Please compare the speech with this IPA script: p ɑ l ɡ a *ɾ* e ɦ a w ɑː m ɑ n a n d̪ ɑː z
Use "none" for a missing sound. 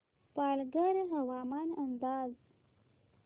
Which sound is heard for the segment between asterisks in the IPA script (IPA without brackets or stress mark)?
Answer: ɾ